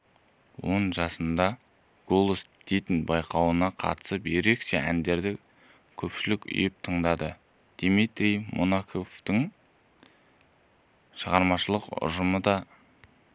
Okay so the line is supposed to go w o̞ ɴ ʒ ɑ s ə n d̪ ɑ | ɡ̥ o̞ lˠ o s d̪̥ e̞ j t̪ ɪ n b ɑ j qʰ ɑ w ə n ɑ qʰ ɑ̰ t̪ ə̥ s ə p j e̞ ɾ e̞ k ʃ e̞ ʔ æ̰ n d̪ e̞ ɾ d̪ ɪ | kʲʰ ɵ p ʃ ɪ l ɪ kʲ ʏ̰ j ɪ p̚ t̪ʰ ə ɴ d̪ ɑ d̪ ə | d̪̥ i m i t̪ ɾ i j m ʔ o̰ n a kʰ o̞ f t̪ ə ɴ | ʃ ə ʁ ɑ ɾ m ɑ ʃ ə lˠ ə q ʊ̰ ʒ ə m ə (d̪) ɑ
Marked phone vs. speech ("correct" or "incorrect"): correct